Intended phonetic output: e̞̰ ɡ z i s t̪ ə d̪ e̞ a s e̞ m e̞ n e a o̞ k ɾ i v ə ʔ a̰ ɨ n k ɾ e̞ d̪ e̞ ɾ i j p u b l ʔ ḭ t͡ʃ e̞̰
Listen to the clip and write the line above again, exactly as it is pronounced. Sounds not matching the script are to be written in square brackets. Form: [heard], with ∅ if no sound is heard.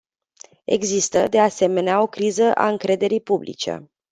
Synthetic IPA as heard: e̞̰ ɡ z i s t̪ ə d̪ e̞ a s e̞ m e̞ n e a o̞ k ɾ i [z] ə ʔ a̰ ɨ [ŋ] k ɾ e̞ d̪ e̞ ɾ i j p u b l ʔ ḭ t͡ʃ e̞̰